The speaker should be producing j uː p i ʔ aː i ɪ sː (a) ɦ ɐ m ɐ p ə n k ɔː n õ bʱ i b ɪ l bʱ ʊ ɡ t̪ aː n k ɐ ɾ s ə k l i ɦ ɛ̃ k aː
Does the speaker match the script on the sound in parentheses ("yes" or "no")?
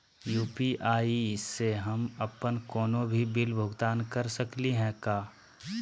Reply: no